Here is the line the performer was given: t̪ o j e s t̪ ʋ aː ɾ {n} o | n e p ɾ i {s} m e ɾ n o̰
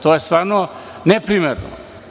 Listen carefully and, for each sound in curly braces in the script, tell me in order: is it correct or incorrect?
correct, incorrect: none

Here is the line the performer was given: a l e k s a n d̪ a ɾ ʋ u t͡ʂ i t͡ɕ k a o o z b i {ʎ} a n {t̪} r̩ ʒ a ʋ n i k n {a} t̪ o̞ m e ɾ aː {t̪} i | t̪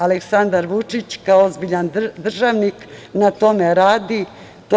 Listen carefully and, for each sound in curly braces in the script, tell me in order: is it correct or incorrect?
correct, incorrect: d̪, correct, incorrect: d̪

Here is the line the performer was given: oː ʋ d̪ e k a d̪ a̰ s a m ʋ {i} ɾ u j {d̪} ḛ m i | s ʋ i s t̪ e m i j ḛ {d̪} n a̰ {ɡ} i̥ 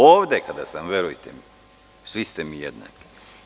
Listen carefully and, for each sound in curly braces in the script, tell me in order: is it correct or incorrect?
incorrect: e, incorrect: t̪, correct, incorrect: k

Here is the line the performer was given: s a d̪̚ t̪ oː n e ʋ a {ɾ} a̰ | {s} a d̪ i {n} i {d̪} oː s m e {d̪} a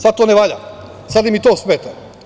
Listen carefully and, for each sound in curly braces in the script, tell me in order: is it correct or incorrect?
incorrect: ʎ, correct, incorrect: m, incorrect: t̪, incorrect: t̪

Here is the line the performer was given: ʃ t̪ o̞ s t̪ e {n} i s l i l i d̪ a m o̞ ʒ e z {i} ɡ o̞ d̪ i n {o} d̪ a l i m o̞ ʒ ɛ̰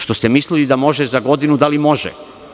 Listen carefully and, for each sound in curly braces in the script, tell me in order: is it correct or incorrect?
incorrect: m, incorrect: a, incorrect: u

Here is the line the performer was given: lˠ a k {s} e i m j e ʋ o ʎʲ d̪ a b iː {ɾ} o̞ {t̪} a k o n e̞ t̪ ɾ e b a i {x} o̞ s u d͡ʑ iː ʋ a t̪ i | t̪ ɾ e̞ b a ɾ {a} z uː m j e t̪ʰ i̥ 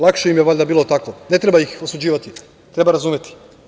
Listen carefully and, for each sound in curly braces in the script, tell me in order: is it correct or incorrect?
incorrect: ʃ, incorrect: l, correct, correct, correct

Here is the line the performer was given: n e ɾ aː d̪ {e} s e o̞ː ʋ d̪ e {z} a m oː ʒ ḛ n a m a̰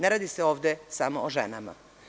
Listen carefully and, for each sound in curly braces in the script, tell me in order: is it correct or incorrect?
incorrect: i, incorrect: s

